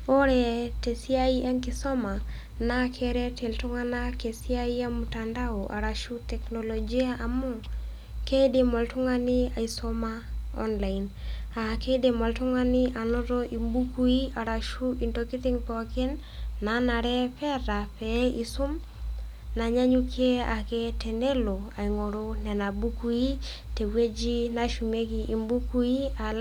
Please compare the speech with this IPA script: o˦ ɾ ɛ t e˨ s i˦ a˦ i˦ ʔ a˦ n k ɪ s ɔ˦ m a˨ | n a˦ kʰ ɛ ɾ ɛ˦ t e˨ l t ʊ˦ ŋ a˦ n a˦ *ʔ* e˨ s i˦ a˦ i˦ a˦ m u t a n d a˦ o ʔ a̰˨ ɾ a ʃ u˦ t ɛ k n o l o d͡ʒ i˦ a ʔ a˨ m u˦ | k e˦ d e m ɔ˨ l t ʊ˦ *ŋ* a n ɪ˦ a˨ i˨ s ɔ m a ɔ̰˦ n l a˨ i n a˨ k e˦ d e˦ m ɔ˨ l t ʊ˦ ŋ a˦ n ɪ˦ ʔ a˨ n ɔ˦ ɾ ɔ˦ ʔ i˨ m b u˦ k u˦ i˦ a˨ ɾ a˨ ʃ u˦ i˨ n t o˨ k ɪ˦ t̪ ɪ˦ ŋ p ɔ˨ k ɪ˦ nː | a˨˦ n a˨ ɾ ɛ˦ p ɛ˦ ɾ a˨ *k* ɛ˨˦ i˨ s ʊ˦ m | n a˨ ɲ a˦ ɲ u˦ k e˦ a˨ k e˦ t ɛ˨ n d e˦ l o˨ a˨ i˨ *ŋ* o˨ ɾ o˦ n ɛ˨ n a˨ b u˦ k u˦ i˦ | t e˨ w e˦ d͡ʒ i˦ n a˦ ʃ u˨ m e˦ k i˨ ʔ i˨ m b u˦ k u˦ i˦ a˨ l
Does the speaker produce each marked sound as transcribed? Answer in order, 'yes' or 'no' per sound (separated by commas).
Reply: no, yes, no, yes